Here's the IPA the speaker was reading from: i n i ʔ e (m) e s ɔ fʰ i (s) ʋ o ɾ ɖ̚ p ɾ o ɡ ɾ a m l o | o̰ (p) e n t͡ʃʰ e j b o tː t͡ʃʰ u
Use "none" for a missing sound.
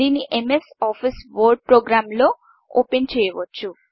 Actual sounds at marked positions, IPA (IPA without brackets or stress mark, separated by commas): m, s, p